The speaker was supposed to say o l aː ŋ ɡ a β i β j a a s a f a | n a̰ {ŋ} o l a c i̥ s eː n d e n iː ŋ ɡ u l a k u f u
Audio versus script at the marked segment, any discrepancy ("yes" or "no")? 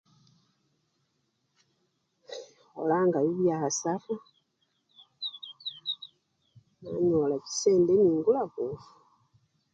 yes